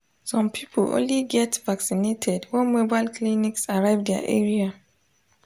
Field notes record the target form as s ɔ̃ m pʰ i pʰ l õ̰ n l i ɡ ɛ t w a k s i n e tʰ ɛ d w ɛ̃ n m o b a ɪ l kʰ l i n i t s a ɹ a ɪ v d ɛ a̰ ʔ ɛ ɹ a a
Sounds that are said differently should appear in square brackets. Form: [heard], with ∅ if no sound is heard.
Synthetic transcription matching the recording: s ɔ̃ m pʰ i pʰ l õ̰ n l i ɡ ɛ t [v] a k s i n e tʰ ɛ d w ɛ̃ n m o b a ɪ l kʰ l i n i [k] s a ɹ a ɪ v d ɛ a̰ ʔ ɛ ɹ [i] a